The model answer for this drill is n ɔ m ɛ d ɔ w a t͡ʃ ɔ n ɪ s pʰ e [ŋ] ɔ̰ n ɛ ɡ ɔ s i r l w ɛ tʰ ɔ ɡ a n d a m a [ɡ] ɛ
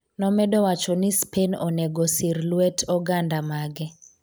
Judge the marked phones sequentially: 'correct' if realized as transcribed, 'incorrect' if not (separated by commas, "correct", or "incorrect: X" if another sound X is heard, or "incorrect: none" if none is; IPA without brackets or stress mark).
incorrect: n, correct